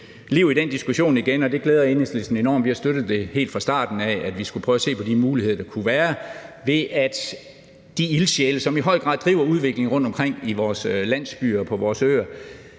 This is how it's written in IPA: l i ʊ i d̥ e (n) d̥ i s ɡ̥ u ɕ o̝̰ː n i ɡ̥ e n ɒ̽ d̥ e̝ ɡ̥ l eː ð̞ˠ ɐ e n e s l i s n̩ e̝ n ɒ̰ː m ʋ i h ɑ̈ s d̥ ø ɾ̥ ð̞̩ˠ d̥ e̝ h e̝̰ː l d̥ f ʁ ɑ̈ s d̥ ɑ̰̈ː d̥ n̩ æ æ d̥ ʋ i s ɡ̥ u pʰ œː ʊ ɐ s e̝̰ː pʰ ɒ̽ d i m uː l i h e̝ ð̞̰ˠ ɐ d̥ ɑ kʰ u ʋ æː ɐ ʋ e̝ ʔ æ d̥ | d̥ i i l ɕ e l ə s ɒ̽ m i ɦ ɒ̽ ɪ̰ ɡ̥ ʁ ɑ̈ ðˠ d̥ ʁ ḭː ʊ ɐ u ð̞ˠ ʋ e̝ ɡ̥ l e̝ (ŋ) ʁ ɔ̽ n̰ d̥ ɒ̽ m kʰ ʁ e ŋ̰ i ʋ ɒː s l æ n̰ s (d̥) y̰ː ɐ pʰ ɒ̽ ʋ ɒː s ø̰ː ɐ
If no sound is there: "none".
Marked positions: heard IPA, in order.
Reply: n, ŋ, b̥

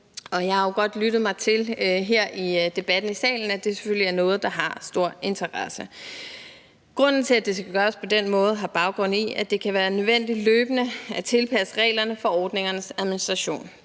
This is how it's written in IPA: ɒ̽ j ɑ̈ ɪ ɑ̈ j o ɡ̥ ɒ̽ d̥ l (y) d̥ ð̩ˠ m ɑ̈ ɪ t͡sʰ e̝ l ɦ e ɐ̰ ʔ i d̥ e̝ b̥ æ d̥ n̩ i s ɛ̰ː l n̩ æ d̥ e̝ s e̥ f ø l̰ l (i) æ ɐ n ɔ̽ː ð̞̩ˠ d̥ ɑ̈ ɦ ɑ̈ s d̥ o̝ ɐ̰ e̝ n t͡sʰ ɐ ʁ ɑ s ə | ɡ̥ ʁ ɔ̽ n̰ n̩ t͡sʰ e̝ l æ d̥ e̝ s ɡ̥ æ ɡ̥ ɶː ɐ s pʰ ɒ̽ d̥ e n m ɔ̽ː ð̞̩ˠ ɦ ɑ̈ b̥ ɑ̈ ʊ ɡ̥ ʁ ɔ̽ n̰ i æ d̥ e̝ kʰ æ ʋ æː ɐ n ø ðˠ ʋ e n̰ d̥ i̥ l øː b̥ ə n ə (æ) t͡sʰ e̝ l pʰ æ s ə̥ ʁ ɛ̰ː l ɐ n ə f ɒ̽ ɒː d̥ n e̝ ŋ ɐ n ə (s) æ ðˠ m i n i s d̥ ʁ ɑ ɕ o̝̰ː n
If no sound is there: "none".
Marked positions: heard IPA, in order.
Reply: y, i, æ, s

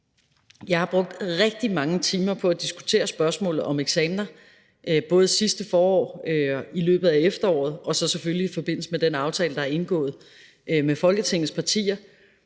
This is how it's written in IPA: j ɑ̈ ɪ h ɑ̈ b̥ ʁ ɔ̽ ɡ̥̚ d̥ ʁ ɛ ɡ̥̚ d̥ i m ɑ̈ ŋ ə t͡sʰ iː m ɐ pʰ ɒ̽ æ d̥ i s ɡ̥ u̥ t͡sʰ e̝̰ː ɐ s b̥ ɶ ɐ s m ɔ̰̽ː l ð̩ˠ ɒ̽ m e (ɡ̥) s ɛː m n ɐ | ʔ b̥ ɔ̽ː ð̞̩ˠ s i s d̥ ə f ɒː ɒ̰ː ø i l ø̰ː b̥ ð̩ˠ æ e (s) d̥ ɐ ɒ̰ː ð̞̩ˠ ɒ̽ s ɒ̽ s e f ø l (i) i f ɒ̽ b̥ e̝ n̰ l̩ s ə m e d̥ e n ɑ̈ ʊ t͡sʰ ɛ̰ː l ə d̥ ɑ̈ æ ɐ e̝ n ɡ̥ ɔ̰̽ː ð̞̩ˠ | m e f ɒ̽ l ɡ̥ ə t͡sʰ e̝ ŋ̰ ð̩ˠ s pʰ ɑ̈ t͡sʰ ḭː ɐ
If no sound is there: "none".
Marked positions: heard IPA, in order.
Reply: ɡ̥, f, i

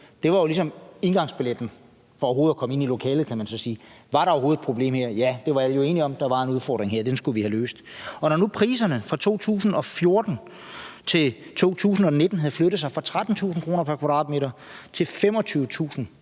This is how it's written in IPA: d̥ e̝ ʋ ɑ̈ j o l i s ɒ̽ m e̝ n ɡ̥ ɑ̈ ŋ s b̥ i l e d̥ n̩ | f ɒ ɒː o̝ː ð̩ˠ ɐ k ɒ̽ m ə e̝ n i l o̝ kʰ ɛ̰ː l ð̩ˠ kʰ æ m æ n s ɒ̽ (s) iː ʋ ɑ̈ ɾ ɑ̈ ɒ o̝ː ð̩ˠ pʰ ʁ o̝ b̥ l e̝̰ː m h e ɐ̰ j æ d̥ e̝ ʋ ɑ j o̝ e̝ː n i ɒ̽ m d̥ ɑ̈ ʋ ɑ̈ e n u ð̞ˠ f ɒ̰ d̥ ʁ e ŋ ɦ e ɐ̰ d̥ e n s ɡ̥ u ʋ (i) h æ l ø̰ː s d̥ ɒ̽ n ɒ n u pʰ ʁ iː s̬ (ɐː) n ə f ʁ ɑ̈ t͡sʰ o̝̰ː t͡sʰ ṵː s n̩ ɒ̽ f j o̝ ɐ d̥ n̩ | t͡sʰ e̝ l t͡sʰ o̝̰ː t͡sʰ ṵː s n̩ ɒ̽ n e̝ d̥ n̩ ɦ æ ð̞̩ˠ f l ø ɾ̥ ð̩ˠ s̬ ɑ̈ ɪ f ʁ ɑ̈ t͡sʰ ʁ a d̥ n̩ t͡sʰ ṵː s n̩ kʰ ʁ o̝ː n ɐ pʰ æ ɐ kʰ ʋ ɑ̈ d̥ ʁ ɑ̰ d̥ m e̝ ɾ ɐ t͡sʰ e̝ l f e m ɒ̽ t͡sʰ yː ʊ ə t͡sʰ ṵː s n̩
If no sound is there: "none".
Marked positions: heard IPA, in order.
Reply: s, i, ɐ

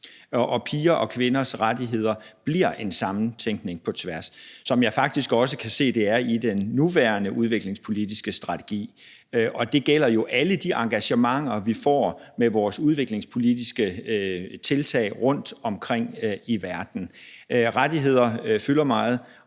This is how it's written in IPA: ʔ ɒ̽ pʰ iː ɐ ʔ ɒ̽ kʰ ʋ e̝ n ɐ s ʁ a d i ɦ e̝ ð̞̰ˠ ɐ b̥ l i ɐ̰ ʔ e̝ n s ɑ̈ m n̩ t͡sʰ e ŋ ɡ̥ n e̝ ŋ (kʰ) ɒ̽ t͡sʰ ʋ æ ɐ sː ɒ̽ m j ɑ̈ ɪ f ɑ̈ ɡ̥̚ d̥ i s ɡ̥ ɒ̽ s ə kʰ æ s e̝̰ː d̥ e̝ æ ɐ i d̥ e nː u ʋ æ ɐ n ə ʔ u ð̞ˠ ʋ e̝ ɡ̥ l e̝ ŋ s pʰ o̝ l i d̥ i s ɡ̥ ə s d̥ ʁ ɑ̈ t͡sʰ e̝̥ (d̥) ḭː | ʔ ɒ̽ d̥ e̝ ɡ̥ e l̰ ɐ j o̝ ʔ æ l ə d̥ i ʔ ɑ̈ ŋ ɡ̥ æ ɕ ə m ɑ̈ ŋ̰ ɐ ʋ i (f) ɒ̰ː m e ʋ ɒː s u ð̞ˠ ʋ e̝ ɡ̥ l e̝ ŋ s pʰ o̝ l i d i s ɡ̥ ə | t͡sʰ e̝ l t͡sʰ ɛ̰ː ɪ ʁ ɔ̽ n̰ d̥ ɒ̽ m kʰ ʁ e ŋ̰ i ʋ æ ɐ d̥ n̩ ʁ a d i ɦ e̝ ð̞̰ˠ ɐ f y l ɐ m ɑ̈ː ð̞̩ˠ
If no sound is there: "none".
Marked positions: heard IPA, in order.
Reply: pʰ, ɡ̥, f

